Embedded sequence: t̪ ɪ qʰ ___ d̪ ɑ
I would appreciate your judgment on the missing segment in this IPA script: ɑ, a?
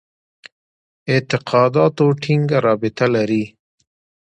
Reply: ɑ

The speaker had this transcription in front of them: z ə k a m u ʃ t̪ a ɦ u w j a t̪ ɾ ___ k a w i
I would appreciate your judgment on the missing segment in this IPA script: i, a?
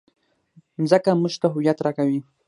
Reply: a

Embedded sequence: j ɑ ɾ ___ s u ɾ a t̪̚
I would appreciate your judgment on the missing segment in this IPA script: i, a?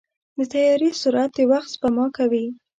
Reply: i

